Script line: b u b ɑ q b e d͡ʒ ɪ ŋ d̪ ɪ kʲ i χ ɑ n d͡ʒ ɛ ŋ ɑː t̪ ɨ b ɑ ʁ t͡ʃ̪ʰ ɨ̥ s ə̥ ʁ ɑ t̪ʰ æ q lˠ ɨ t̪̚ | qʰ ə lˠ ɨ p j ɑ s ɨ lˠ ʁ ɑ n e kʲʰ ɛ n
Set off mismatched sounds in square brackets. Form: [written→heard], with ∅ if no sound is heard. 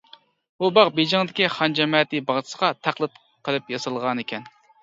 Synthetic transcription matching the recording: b u b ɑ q b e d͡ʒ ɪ ŋ d̪ ɪ kʲ i χ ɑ n d͡ʒ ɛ [ŋ→m] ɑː t̪ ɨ b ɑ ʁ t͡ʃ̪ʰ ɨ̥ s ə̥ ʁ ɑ t̪ʰ æ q lˠ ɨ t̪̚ | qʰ ə lˠ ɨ p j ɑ s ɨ lˠ ʁ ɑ n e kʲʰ ɛ n

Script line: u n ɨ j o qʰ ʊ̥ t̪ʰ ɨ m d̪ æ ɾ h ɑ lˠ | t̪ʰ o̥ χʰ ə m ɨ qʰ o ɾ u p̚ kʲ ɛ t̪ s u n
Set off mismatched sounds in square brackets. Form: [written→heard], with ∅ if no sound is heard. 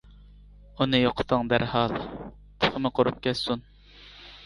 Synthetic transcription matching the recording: u n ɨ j o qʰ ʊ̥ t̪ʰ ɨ [m→ŋ] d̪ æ ɾ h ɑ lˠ | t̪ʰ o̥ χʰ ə m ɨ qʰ o ɾ u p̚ kʲ ɛ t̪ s u n

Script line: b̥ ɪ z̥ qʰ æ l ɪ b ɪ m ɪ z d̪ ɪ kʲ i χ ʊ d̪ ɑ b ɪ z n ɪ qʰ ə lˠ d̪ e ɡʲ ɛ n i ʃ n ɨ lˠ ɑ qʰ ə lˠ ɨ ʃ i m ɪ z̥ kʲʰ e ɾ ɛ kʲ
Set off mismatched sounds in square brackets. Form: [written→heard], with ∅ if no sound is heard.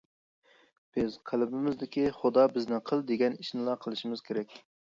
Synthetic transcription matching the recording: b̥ ɪ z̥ qʰ æ l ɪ b ɪ m ɪ z d̪ ɪ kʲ i χ ʊ d̪ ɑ b ɪ z n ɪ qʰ ə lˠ d̪ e ɡʲ ɛ n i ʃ n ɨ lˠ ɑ qʰ ə lˠ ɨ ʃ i m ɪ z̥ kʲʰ e ɾ ɛ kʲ

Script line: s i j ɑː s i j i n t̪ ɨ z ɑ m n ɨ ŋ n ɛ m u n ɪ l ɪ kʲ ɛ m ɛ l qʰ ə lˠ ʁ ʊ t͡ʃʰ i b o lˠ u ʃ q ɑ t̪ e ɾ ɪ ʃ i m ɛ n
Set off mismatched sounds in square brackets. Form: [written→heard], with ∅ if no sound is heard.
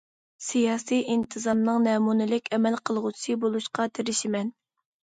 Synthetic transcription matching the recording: s i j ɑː s i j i n [t̪→t̪ʰ] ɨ z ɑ m n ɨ ŋ n ɛ m u n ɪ l ɪ kʲ ɛ m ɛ l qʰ ə lˠ ʁ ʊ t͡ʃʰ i b o lˠ u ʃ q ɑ [t̪→t̪ʰ] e ɾ ɪ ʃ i m ɛ n

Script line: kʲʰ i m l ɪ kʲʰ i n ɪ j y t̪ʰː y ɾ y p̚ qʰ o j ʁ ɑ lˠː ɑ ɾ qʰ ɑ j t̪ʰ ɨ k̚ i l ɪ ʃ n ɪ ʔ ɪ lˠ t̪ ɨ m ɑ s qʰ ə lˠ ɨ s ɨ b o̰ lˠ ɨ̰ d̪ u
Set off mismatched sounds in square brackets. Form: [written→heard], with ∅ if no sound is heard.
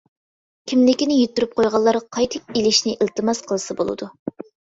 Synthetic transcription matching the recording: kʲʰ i m l ɪ [kʲʰ→kʲ] i n ɪ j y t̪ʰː y ɾ y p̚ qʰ o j ʁ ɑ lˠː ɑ ɾ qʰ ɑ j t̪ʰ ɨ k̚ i l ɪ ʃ n ɪ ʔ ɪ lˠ t̪ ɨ m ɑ s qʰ ə lˠ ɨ s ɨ b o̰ lˠ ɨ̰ d̪ u

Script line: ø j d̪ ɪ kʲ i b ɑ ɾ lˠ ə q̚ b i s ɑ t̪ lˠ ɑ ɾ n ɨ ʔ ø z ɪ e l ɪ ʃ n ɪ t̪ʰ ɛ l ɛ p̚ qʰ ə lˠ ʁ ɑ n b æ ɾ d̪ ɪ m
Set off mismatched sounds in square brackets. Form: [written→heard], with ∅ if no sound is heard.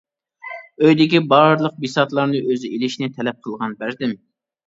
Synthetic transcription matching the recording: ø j d̪ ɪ kʲ i b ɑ ɾ lˠ ə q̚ b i s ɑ t̪ lˠ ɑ ɾ n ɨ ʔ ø z ɪ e l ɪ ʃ n ɪ t̪ʰ ɛ l ɛ p̚ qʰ ə lˠ ʁ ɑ n b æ ɾ d̪ ɪ m

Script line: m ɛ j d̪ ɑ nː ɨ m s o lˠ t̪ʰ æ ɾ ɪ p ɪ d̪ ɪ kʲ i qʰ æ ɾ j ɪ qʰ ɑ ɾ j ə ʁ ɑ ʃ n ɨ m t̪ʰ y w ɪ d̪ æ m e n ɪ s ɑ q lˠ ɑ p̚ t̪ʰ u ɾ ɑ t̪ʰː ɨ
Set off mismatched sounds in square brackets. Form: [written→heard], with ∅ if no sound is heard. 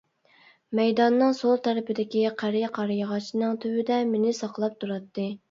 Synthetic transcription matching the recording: m ɛ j d̪ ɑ nː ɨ [m→ŋ] s o lˠ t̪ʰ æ ɾ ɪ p ɪ d̪ ɪ kʲ i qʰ æ ɾ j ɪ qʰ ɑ ɾ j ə ʁ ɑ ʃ n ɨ [m→ŋ] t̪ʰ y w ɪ d̪ [æ→ɛ] m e n ɪ s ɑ q lˠ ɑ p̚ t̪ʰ u ɾ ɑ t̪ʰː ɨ

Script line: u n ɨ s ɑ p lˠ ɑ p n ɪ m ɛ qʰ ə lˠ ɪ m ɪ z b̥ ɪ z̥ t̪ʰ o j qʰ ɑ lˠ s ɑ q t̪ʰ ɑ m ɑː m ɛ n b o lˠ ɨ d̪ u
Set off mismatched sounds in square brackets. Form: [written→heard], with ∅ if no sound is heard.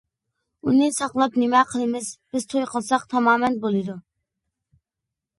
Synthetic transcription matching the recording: u n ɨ s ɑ [p→q] lˠ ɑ p n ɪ m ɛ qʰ ə lˠ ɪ m ɪ z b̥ ɪ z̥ t̪ʰ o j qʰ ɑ lˠ s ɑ q t̪ʰ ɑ m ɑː m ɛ n b o lˠ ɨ d̪ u

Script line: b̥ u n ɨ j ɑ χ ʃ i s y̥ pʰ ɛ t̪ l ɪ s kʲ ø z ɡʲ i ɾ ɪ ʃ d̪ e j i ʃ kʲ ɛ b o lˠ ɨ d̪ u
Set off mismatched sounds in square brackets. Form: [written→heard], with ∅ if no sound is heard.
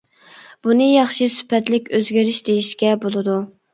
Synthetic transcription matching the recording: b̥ u n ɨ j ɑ χ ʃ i s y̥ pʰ ɛ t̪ l ɪ [s→∅] kʲ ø z ɡʲ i ɾ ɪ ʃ d̪ e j i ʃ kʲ ɛ b o lˠ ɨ d̪ u

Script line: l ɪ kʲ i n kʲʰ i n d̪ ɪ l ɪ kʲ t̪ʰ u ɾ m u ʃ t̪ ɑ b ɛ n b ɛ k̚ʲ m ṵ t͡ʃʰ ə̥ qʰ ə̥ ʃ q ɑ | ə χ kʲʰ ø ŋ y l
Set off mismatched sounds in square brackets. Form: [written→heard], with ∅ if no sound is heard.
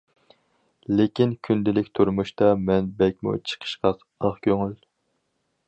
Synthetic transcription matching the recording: l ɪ kʲ i n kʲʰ [i→y] n d̪ ɪ l ɪ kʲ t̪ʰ u ɾ m u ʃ t̪ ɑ [b→m] ɛ n b ɛ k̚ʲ m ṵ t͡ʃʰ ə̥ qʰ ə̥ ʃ q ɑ | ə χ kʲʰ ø ŋ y l

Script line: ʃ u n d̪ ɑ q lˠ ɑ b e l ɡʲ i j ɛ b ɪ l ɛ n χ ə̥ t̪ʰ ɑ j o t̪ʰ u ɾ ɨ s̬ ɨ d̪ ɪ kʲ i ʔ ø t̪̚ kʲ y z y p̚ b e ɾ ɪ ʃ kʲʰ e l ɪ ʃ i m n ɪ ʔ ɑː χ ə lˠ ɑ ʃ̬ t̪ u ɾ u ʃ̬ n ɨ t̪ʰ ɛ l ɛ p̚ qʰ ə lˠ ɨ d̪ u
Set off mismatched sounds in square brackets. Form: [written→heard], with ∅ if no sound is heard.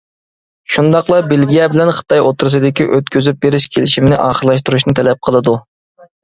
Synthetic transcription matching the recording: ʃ u n d̪ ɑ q lˠ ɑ b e l ɡʲ i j ɛ b ɪ l ɛ n χ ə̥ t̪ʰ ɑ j o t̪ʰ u ɾ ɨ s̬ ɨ d̪ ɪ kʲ i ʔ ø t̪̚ kʲ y z y p̚ b e ɾ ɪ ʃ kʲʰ e l ɪ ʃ i m n ɪ ʔ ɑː χ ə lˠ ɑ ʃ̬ t̪ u ɾ u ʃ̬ n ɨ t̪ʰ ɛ l ɛ p̚ qʰ ə lˠ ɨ d̪ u

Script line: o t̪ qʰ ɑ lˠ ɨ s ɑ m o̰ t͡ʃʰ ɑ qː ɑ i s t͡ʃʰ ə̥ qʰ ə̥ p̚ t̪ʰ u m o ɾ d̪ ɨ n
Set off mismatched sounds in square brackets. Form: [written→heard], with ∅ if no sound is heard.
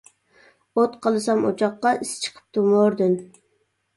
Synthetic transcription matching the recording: o t̪ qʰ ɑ lˠ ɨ s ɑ m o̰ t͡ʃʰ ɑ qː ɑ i s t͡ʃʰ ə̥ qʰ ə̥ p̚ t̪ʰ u m o ɾ d̪ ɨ n

